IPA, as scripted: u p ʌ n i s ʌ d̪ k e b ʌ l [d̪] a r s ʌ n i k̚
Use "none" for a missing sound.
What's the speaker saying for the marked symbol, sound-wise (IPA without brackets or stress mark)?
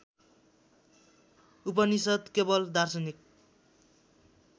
d̪